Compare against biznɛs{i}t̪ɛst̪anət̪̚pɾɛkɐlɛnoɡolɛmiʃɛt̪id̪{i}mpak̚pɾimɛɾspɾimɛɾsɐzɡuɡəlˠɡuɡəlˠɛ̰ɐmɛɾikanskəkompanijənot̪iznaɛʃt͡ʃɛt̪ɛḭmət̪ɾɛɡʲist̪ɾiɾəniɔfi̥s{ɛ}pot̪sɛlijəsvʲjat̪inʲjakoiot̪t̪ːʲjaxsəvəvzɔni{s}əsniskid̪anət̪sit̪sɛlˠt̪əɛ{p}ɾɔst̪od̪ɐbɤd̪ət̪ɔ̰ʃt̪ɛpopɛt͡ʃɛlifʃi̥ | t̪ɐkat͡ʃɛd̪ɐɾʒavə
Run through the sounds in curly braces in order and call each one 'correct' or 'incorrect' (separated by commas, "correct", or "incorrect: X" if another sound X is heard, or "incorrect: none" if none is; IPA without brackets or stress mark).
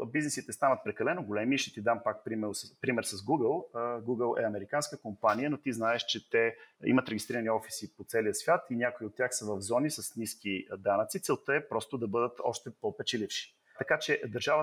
correct, incorrect: a, incorrect: i, correct, correct